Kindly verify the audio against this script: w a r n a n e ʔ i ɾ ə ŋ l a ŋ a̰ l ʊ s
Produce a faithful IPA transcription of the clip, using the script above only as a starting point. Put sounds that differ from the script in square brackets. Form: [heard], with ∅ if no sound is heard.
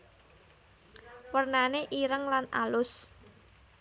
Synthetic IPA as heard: w [ə] r n a n e ʔ i ɾ ə ŋ l a [n] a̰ l ʊ s

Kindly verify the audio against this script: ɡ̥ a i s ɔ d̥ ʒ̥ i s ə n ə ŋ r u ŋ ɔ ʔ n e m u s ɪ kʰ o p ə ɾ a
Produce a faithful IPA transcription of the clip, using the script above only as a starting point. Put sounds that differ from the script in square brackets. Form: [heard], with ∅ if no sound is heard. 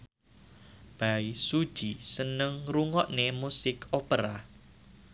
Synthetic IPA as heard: [b̥] a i s [u] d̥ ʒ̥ i s ə n ə ŋ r u ŋ ɔ ʔ n e m u s ɪ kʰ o p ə ɾ a

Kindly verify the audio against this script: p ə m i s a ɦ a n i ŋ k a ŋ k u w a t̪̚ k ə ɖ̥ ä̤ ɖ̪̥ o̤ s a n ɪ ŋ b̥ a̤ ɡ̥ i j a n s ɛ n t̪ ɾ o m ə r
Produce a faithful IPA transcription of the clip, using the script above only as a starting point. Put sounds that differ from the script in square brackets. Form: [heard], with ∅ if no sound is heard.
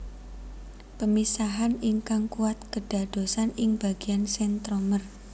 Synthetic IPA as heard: p ə m i s a ɦ a n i ŋ k a ŋ k u w a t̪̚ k ə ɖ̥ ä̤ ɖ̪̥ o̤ s a n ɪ ŋ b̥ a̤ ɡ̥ i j a n s ɛ n t̪ ɾ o m ə r

